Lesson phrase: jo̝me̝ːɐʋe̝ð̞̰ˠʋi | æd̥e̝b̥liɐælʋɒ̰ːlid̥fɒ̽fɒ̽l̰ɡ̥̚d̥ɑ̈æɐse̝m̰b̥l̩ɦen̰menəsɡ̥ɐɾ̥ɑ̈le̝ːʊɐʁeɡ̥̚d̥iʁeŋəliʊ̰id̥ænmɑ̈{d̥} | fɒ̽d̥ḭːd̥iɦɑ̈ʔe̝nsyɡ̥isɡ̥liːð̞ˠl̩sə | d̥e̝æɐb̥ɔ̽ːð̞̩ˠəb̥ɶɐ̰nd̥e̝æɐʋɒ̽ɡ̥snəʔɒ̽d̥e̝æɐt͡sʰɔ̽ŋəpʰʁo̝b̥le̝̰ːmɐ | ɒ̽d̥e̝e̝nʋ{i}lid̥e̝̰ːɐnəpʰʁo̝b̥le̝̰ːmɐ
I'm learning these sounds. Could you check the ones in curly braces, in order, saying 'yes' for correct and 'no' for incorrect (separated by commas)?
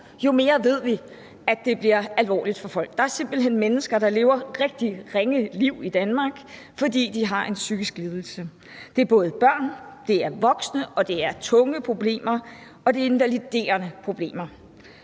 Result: no, no